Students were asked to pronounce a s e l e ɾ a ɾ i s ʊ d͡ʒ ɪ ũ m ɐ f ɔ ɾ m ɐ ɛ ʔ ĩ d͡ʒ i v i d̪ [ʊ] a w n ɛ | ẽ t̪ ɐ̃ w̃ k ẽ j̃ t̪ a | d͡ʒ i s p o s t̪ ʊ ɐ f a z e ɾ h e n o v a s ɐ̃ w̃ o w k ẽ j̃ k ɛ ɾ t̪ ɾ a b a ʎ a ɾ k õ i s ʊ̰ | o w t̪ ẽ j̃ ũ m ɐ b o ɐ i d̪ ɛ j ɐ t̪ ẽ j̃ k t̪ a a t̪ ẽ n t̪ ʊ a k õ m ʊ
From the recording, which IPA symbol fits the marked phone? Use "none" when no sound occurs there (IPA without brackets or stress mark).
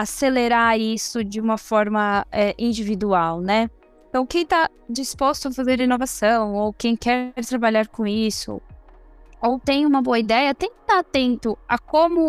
u